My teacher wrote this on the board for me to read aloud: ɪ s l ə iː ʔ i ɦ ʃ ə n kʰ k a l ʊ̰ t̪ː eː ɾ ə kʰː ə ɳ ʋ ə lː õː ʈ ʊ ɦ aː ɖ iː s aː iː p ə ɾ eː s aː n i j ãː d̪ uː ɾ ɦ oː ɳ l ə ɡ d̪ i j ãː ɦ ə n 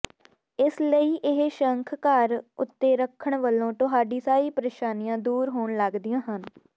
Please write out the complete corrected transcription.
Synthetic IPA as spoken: ɪ s l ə iː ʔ ɪ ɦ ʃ ə ŋ kʰ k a ɾ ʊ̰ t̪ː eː ɾ ə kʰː ə ɳ ʋ ə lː õː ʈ ʊ ɦ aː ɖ iː s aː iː p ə ɾ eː ʃ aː n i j ãː d̪ uː ɾ ɦ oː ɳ l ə ɡ d̪ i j ãː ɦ ə n